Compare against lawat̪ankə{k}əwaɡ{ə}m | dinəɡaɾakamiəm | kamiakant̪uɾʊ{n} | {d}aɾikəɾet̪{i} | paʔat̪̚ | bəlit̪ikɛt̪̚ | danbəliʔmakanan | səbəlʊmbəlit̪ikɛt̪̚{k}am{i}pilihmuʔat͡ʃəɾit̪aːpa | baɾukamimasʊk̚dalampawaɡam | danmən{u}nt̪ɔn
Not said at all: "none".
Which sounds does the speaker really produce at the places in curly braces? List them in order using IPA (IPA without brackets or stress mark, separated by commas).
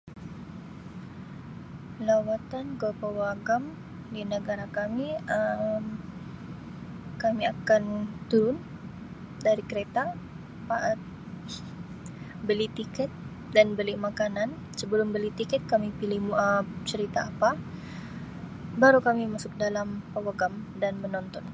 p, a, n, d, a, k, i, ɔ